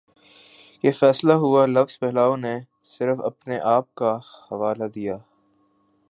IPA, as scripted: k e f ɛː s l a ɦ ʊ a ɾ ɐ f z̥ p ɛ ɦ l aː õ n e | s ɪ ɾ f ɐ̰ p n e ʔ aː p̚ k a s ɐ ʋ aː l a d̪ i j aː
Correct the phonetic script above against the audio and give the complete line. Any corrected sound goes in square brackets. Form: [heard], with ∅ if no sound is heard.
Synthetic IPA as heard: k e f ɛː s l a ɦ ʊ a [l] ɐ f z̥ p ɛ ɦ l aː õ n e | s ɪ ɾ f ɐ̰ p n e ʔ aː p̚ k a [h] ɐ ʋ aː l a d̪ i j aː